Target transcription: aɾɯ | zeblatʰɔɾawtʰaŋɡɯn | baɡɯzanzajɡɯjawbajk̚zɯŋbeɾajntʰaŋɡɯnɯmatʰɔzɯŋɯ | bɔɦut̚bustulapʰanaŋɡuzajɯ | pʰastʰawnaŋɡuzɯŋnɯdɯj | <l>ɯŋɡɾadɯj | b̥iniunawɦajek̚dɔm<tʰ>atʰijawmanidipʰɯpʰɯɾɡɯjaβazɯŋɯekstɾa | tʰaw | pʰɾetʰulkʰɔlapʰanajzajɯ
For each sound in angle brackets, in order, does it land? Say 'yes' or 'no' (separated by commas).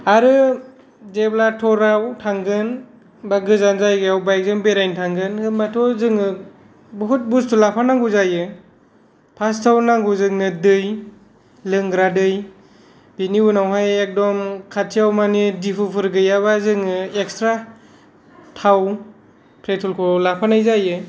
yes, no